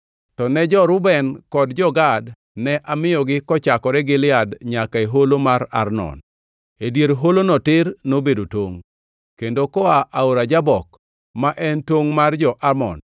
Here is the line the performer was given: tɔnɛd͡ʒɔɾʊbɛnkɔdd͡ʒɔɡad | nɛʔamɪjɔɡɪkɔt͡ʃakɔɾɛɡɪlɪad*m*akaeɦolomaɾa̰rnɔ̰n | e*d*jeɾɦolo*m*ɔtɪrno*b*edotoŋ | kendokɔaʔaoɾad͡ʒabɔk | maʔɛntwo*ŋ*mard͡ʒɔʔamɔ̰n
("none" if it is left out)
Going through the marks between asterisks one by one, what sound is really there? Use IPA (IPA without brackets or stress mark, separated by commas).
ɲ, d, n, b, ŋ